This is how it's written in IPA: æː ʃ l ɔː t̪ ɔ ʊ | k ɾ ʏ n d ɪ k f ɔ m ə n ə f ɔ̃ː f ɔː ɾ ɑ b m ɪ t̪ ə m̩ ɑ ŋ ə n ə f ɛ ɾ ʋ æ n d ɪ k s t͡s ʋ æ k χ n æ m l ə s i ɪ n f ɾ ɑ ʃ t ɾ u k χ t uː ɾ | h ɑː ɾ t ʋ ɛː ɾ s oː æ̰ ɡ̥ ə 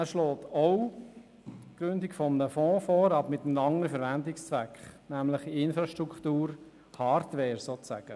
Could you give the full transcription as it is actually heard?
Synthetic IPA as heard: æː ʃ l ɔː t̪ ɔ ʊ | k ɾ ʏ n d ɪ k f ɔ m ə n ə f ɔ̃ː f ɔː ɾ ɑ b m ɪ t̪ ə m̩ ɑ ŋ ə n ə f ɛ ɾ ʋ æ n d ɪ k s t͡s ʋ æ k χ n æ m l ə χ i ɪ n f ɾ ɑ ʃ t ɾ u k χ t uː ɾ | h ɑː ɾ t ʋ ɛː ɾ s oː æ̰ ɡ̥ ə